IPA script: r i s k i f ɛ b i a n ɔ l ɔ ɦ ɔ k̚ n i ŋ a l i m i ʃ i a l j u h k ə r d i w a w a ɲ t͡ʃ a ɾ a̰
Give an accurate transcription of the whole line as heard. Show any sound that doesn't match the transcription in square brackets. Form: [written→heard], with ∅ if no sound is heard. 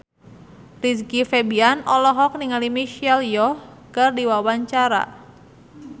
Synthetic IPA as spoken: r i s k i f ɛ b i a n ɔ l ɔ ɦ ɔ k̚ n i ŋ a l i m i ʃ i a l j [u→ɔ] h k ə r d i w a w a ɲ t͡ʃ a ɾ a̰